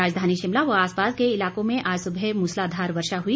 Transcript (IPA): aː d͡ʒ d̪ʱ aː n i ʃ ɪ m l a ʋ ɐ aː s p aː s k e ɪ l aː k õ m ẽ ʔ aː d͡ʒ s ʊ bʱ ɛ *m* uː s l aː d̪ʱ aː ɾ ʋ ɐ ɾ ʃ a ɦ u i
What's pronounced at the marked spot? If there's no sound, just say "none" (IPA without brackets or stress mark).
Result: m